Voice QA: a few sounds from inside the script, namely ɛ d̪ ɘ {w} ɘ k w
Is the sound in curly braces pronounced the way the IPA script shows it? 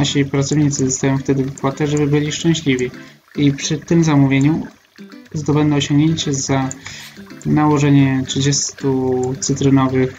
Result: no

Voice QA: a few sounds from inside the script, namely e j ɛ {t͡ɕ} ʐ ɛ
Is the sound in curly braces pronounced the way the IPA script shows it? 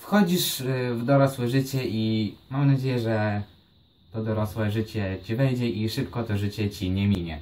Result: no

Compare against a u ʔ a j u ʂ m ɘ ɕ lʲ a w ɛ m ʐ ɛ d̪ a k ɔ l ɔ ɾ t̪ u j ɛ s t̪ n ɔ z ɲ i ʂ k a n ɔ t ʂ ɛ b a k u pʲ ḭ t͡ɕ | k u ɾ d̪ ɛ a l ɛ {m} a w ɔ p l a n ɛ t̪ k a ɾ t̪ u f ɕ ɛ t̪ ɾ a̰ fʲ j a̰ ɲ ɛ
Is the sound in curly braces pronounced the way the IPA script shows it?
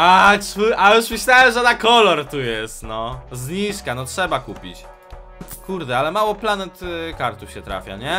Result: yes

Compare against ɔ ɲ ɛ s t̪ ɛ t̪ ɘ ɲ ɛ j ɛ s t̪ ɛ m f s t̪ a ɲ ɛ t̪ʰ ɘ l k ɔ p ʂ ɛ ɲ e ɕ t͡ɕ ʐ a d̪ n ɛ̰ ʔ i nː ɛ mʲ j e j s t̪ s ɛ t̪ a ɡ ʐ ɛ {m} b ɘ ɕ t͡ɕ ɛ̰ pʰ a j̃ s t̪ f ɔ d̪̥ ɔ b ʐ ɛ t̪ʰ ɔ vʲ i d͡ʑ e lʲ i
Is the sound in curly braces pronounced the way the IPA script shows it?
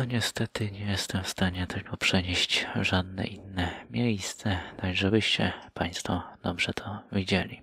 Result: no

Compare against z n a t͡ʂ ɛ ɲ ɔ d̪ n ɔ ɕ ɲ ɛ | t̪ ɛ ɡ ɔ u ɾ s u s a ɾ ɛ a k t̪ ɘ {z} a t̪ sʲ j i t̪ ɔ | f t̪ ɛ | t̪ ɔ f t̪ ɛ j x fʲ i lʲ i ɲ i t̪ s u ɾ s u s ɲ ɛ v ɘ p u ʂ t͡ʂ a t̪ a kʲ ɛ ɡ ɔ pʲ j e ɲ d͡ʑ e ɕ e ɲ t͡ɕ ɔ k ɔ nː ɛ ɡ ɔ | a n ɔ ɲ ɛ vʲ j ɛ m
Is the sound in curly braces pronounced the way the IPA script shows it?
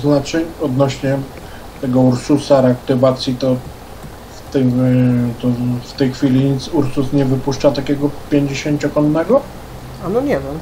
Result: no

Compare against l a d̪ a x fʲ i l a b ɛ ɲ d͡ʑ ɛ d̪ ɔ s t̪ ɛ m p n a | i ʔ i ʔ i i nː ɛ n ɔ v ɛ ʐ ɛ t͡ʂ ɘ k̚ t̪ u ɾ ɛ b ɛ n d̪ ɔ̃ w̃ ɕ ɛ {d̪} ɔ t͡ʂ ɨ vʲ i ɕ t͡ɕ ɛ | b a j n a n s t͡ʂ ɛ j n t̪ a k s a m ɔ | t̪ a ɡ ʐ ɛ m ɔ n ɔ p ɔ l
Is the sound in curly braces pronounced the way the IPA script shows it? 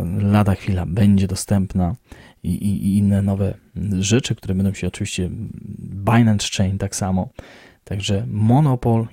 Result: no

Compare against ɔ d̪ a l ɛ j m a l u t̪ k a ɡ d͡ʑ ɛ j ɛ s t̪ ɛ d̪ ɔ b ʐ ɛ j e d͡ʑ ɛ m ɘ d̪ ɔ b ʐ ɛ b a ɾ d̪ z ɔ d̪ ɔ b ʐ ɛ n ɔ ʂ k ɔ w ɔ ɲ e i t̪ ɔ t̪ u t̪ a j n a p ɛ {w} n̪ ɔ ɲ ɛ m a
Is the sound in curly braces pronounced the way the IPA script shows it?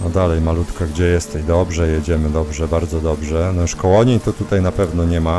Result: no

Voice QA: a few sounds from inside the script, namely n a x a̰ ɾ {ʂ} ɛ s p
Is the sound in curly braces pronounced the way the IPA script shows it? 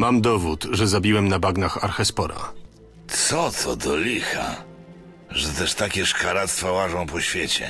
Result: no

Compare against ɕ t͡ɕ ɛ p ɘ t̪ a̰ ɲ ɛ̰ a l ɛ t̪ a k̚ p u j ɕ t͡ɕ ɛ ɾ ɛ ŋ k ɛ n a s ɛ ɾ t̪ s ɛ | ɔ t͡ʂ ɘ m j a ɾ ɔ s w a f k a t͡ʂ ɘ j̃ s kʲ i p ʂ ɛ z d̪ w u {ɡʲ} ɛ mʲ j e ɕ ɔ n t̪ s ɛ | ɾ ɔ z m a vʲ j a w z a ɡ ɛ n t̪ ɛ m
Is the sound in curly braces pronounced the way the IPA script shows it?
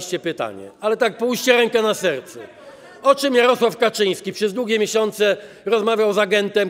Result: yes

